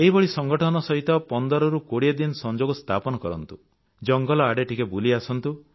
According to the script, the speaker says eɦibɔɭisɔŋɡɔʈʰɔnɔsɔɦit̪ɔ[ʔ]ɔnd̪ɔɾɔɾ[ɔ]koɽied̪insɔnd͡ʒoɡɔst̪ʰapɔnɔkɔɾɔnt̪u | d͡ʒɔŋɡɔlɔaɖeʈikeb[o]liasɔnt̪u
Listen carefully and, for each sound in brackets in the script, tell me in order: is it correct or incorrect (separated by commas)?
incorrect, incorrect, incorrect